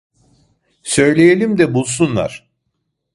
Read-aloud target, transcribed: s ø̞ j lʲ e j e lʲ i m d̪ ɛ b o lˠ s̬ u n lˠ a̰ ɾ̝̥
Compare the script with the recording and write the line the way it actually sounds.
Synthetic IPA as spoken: s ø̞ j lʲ e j e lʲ i m d̪ ɛ b u lˠ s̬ u n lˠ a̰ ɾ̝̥